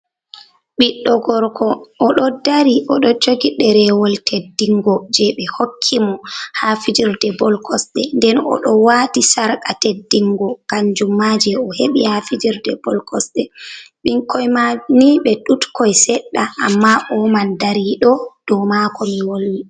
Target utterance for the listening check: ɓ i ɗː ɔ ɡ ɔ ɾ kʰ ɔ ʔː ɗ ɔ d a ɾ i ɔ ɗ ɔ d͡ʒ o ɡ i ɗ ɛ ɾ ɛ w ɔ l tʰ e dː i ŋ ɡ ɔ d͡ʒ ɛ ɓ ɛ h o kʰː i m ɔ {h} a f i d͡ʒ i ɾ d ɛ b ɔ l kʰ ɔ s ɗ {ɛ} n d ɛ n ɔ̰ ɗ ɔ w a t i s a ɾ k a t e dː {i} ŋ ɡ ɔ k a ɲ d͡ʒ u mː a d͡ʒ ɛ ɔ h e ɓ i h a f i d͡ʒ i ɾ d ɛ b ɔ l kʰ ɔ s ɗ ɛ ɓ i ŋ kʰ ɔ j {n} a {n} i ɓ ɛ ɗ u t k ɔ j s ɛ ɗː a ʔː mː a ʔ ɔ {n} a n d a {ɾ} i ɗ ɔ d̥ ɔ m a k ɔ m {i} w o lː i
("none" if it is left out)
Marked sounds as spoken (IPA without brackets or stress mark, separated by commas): h, ɛ, i, m, n, m, ɾ, i